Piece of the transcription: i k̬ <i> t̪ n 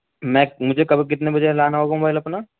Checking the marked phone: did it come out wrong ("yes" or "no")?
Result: yes